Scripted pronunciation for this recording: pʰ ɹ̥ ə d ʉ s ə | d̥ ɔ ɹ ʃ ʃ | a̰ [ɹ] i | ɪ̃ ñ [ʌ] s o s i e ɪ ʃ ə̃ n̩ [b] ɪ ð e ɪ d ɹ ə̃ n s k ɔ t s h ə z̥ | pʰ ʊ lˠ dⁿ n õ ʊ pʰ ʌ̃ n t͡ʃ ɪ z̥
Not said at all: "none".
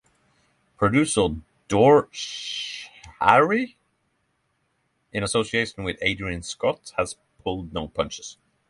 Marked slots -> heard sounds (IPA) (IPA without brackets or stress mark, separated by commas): ɹ, ə, w